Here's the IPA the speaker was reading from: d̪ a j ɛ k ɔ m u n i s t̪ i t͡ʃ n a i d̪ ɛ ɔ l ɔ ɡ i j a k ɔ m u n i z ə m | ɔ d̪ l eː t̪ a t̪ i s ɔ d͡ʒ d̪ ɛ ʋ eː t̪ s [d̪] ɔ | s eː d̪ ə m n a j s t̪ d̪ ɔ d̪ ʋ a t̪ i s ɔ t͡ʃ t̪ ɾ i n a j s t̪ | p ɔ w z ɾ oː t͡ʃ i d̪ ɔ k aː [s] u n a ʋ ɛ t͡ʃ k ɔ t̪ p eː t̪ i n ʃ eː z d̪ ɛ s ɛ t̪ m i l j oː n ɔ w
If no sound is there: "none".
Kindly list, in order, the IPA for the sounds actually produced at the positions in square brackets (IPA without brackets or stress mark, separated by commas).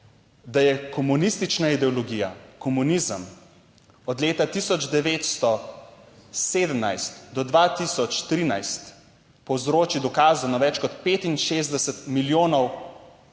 t̪, z